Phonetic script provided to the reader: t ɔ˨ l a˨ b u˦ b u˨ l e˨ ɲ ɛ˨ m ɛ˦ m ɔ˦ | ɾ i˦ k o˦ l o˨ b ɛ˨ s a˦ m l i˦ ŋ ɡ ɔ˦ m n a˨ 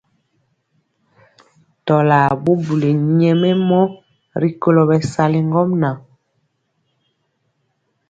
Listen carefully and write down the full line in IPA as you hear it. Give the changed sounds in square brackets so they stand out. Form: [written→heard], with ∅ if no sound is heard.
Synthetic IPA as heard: t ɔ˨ l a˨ b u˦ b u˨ l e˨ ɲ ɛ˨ m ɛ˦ m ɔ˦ | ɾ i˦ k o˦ l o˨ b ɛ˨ s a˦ [m→∅] l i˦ ŋ ɡ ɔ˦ m n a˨

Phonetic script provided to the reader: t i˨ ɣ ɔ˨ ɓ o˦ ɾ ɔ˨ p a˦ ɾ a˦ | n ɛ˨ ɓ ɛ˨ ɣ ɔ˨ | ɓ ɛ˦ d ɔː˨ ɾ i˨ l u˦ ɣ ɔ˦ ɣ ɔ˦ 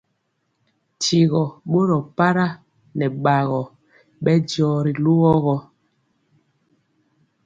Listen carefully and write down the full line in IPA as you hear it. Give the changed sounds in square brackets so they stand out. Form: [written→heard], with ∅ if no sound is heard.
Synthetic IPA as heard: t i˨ ɣ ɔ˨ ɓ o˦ ɾ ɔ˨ p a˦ ɾ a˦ | n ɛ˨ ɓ [ɛ˨→a˨] ɣ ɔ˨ | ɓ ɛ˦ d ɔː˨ ɾ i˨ l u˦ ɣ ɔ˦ ɣ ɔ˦

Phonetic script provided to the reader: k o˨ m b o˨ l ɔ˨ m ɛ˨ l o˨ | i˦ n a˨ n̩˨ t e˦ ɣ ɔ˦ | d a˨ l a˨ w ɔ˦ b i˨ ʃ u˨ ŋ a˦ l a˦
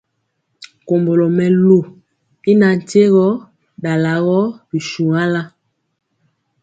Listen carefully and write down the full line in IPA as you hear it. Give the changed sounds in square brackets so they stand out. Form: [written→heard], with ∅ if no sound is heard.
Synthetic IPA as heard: k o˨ m b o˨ l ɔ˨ m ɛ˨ l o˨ | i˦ n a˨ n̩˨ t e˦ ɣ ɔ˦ | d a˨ l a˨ [w→ɣ] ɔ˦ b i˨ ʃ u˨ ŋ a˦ l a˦

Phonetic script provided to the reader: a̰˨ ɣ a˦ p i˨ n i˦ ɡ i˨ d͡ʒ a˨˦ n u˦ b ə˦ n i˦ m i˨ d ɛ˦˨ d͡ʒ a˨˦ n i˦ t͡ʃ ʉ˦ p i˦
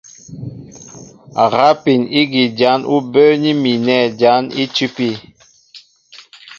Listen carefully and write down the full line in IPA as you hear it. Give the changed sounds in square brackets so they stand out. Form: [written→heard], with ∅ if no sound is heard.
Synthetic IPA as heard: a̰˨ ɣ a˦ p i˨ n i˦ ɡ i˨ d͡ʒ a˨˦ n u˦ b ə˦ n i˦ m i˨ [d→n] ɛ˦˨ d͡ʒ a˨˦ n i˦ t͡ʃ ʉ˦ p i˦

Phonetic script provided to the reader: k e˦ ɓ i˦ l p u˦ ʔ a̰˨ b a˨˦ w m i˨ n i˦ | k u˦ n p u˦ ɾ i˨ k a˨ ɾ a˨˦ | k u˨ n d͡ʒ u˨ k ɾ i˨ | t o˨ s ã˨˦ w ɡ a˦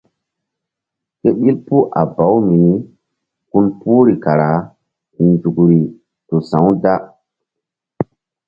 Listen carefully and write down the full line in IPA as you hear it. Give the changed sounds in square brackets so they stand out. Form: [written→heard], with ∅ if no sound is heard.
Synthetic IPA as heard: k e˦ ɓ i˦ l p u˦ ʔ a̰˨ b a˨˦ w m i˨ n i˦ | k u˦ n p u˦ ɾ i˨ k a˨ ɾ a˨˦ | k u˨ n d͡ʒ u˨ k ɾ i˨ | t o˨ s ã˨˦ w [ɡ→d] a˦

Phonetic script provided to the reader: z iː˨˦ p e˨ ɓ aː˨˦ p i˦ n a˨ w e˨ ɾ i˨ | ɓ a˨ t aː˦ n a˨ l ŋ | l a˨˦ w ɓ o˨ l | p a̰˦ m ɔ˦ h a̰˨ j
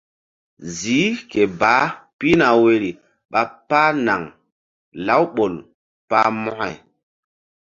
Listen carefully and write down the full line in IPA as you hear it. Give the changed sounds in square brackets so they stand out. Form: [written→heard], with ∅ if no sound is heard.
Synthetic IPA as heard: z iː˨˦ [p→k] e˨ [ɓ→b] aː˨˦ p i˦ n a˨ w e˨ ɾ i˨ | ɓ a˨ [t→p] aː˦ n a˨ [l→∅] ŋ | l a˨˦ w ɓ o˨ l | p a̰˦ m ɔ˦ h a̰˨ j

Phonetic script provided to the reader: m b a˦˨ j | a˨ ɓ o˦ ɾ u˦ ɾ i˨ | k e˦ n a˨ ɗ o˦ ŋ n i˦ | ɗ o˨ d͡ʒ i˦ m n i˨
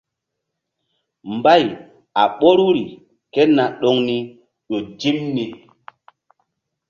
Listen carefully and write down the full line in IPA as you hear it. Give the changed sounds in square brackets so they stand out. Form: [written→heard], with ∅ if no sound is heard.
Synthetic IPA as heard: m b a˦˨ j | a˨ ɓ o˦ ɾ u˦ ɾ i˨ | k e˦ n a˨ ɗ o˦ ŋ n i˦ | ɗ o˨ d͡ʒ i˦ m n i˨

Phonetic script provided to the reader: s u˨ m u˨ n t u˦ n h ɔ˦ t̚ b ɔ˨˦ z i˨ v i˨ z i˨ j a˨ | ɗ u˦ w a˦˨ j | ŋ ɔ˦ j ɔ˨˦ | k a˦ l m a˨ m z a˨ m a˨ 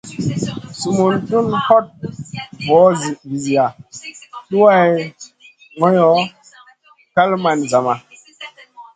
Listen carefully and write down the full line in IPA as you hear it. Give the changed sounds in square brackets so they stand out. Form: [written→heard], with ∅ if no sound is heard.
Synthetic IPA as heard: s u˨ m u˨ n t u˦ n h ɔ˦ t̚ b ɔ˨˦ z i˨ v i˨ z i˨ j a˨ | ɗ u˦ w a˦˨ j | ŋ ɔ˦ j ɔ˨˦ | k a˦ l m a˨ [m→n] z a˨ m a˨

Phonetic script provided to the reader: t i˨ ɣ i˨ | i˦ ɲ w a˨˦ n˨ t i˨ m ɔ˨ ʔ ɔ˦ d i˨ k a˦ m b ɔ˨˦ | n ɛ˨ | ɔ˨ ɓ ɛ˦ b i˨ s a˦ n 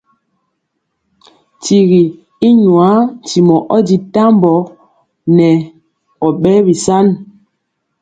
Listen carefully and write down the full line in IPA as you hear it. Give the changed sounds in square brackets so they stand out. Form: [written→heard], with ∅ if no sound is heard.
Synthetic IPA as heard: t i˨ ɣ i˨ | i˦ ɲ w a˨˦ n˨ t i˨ m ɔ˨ ʔ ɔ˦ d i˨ [k→t] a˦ m b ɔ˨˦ | n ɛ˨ | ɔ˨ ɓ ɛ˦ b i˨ s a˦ n

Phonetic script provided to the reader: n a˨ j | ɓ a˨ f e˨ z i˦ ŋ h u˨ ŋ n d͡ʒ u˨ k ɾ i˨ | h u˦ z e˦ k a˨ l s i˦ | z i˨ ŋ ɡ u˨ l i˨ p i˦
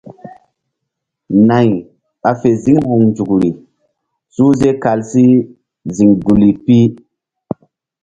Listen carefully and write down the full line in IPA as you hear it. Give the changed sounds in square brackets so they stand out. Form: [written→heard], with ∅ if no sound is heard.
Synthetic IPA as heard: n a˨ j | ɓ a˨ f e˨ z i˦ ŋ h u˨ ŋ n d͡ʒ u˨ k ɾ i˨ | [h→s] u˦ z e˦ k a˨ l s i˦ | z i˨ ŋ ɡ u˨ l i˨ p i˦

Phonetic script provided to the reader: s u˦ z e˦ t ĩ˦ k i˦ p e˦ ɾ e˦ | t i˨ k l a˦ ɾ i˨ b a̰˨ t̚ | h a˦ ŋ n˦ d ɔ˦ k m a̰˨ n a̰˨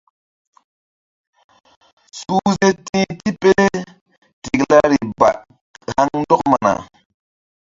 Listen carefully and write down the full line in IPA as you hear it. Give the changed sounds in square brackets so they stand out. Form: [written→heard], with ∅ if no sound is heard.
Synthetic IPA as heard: s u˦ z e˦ t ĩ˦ [k→t] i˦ p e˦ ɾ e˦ | t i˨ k l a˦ ɾ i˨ b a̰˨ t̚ | h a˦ ŋ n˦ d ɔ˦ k m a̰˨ n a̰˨

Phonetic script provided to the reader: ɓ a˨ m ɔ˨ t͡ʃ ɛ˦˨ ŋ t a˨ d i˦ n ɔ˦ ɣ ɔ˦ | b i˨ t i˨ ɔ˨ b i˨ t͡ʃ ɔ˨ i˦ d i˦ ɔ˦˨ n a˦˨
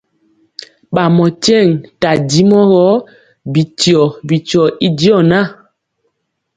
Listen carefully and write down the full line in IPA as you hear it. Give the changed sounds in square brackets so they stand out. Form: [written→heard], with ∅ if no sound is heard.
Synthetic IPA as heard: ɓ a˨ m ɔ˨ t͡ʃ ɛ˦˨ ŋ t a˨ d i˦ [n→m] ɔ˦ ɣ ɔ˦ | b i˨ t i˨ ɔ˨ b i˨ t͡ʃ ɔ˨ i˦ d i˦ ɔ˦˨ n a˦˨

